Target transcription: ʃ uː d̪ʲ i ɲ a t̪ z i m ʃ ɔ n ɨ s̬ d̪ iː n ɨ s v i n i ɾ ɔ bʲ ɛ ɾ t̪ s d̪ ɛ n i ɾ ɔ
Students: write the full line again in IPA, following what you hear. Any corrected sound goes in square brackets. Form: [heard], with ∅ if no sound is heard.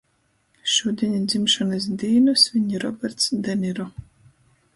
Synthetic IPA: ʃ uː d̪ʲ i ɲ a [d̪] z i m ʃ ɔ n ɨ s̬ d̪ iː n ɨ s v i [ɲ] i ɾ ɔ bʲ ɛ ɾ t̪ s d̪ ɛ n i ɾ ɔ